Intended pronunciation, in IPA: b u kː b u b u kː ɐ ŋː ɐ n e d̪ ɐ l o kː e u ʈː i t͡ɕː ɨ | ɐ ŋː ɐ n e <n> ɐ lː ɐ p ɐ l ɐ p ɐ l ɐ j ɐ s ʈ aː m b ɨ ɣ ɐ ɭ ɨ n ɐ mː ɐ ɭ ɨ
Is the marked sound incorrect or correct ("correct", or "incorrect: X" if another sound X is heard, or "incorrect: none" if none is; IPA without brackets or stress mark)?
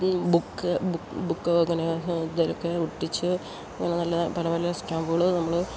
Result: correct